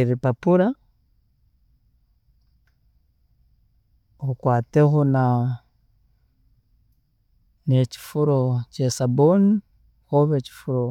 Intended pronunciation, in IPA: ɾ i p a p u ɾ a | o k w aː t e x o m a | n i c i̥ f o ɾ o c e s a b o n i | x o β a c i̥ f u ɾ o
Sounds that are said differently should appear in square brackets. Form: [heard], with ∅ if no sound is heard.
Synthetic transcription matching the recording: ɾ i p a p u ɾ a | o k w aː t e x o [n] a | n [e] c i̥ f [u] ɾ o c e s a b o n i | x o β [e] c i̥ f u ɾ o